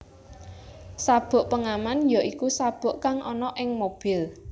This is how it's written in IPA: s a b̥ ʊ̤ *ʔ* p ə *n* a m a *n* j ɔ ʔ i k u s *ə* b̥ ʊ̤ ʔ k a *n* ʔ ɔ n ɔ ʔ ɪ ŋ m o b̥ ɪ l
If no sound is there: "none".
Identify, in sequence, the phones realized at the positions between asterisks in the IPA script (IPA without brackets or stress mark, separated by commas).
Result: ʔ, ŋ, n, a, ŋ